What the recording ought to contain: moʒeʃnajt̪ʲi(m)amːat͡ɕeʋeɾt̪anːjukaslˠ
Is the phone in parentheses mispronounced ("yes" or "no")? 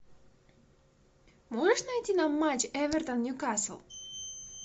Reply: yes